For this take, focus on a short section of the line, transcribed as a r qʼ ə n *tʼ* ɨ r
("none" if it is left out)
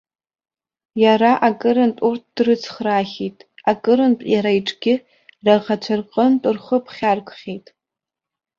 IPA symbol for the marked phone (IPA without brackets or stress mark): tʼ